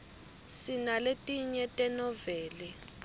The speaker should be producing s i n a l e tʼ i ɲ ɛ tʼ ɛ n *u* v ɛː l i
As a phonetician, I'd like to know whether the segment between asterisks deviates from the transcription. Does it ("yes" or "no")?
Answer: yes